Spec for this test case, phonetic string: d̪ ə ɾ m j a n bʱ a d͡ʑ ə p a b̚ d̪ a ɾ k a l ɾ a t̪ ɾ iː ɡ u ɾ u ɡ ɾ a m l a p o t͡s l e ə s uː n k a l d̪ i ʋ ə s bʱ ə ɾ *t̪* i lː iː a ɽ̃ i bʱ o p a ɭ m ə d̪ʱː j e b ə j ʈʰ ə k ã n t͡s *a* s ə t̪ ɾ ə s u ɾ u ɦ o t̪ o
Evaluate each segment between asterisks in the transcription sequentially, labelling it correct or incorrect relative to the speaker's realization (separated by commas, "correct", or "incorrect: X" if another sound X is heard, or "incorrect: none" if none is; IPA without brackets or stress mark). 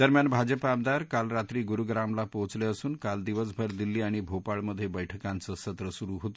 incorrect: d̪, incorrect: ə